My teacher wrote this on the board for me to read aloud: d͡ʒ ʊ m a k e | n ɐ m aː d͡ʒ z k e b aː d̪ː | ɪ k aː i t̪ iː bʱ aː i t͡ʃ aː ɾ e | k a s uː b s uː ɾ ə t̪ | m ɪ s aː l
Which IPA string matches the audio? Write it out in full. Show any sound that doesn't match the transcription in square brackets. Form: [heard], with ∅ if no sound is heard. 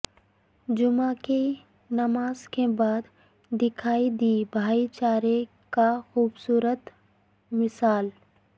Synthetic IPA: d͡ʒ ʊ m a k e | n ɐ m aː [∅] z k e b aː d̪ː | ɪ [kʰ] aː i [d̪] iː bʱ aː i t͡ʃ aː ɾ e | k a [x] uː b s uː ɾ ə t̪ | m ɪ s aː l